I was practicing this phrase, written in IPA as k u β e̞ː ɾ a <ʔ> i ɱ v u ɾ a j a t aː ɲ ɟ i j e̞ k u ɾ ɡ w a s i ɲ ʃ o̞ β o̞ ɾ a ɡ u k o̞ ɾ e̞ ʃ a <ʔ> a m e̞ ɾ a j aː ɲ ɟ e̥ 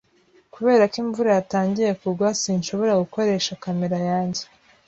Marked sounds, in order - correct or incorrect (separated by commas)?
incorrect, incorrect